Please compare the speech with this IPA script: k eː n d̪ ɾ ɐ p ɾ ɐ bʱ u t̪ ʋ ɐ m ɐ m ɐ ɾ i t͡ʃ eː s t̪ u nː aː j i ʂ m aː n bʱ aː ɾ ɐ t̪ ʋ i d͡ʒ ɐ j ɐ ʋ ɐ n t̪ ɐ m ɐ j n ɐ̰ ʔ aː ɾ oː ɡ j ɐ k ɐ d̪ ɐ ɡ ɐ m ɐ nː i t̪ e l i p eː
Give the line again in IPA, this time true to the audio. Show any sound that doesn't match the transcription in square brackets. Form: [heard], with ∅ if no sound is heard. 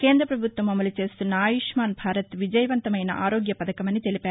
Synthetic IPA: k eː n d̪ ɾ ɐ p ɾ ɐ bʱ u t̪ ʋ ɐ m ɐ m ɐ [l] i t͡ʃ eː s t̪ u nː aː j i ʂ m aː n bʱ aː ɾ ɐ t̪ ʋ i d͡ʒ ɐ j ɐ ʋ ɐ n t̪ ɐ m ɐ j n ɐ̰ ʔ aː ɾ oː ɡ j ɐ [p] ɐ d̪ ɐ [k] ɐ m ɐ nː i t̪ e l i p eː